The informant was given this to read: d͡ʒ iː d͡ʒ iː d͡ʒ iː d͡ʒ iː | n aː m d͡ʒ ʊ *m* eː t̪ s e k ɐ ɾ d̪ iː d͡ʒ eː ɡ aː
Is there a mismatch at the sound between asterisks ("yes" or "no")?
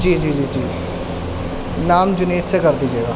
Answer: yes